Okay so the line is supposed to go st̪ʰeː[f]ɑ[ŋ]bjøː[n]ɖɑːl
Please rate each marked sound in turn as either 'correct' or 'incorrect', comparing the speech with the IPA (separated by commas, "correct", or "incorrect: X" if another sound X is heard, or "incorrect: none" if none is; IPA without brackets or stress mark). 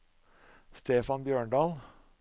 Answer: correct, incorrect: n, incorrect: ɳ